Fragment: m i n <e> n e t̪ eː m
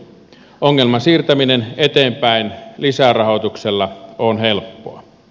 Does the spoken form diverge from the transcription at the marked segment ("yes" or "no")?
no